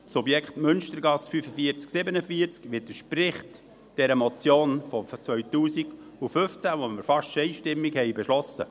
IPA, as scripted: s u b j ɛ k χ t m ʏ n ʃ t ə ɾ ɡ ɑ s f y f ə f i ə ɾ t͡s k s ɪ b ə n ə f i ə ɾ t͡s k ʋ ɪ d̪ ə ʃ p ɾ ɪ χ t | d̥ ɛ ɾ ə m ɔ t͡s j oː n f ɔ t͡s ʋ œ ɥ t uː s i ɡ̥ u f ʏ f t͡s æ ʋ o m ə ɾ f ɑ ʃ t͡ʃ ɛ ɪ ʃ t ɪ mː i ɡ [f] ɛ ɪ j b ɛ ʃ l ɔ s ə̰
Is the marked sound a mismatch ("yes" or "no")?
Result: yes